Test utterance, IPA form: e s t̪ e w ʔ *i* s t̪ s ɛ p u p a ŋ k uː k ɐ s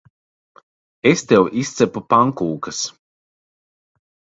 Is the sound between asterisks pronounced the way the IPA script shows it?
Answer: yes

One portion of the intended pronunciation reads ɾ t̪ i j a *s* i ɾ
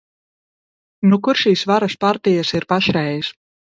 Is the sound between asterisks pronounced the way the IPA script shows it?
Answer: yes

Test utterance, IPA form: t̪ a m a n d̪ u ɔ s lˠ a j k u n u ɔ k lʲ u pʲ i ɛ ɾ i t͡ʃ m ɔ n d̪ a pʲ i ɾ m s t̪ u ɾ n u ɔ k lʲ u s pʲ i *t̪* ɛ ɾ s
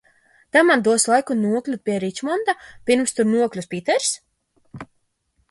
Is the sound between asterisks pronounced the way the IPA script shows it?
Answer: yes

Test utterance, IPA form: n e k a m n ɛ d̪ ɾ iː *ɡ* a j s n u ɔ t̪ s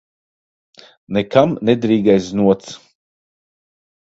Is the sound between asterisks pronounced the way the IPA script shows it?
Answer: yes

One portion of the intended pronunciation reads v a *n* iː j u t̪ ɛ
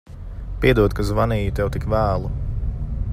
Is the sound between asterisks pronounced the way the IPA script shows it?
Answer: yes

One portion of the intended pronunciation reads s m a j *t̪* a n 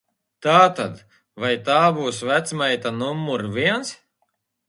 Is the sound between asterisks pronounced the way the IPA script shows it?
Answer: yes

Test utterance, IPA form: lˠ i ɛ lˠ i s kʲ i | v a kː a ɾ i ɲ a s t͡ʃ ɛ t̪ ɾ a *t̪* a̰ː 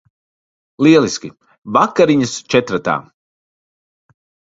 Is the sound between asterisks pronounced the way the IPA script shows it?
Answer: yes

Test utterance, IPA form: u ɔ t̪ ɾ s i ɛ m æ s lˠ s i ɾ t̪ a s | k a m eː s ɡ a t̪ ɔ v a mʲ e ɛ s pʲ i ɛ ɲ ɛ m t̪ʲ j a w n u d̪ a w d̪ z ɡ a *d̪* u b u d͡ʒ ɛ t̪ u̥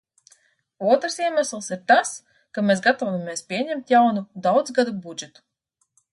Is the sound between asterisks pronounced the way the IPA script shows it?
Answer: yes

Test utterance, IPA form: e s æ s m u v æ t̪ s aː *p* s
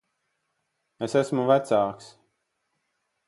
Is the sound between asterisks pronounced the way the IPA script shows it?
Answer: no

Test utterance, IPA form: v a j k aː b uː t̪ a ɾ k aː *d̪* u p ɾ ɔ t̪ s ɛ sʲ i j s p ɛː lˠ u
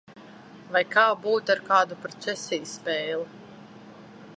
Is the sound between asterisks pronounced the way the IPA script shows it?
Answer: yes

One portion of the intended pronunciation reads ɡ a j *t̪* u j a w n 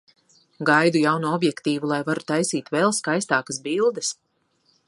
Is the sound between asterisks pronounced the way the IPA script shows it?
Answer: no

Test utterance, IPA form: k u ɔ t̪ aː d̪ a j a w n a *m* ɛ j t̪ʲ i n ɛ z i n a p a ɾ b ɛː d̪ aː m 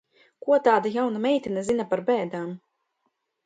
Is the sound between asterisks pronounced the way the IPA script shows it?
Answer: yes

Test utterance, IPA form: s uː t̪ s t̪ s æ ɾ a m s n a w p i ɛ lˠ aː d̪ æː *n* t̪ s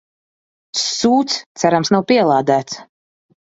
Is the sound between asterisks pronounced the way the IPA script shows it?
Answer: no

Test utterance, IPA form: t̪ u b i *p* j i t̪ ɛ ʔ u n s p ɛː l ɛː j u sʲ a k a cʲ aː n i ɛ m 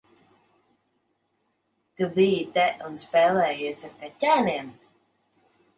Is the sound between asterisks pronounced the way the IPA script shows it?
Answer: no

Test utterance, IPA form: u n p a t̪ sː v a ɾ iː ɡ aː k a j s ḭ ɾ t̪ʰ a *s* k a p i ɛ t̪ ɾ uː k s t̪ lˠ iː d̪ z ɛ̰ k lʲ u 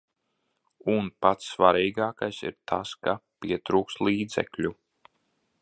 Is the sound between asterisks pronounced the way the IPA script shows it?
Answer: yes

